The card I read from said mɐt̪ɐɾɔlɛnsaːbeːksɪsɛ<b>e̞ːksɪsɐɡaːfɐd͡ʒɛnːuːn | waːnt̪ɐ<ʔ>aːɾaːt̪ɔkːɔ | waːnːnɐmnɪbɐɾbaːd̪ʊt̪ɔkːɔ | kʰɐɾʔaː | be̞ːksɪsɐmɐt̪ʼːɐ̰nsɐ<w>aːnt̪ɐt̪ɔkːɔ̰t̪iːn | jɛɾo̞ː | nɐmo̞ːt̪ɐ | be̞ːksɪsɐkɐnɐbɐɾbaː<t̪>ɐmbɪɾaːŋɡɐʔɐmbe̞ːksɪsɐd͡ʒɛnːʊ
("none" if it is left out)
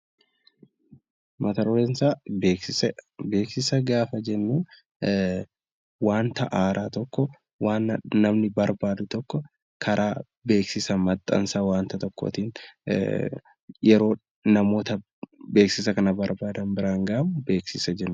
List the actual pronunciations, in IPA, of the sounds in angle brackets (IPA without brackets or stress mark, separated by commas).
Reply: b, ʔ, w, d̪